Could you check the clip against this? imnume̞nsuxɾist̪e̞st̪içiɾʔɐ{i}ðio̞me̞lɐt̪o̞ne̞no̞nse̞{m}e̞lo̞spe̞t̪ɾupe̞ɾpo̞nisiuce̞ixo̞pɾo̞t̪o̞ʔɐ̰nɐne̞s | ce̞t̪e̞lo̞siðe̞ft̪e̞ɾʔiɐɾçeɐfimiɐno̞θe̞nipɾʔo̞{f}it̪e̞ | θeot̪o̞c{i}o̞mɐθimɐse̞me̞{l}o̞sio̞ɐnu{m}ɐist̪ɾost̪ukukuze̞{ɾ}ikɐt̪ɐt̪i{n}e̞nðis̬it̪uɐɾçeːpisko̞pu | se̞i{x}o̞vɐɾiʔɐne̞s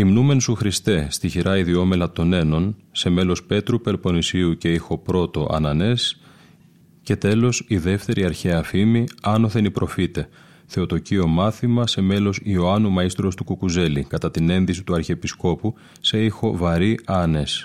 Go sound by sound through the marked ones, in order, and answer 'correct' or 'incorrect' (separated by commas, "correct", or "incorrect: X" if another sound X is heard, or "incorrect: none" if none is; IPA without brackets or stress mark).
correct, correct, correct, correct, correct, correct, incorrect: l, correct, correct